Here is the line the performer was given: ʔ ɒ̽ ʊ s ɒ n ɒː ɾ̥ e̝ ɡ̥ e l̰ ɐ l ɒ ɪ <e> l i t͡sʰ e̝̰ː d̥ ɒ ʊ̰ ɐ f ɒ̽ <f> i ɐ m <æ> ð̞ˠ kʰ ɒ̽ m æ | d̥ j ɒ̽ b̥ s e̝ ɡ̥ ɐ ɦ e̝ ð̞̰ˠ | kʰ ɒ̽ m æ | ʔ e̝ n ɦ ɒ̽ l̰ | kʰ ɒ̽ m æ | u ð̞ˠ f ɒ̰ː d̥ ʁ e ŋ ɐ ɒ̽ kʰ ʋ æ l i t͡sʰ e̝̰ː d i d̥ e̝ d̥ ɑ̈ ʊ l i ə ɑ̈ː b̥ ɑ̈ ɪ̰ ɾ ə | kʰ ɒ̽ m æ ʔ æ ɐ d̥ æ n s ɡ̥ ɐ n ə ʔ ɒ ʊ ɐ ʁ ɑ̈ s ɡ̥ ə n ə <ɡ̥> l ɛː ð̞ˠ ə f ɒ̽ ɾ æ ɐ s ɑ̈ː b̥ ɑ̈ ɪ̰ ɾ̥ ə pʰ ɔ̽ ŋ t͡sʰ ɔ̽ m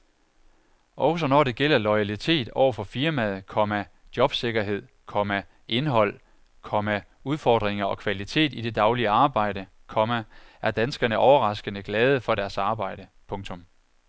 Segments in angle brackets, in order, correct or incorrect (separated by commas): incorrect, correct, correct, correct